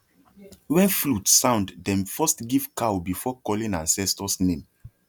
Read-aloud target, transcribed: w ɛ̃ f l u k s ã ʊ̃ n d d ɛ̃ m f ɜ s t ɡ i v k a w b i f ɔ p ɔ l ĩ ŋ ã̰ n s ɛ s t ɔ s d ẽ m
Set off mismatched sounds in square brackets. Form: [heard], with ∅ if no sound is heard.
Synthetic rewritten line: w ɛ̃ f l u [t] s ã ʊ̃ n d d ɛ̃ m f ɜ s t ɡ i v k a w b i f ɔ [k] ɔ l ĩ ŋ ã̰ n s ɛ s t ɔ s [n] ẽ m